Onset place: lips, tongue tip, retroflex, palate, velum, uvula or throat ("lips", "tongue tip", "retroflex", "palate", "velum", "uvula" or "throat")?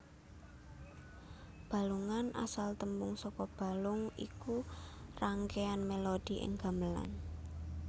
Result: lips